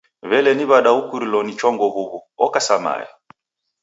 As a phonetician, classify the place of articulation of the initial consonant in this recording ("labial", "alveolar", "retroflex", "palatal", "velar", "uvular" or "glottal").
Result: labial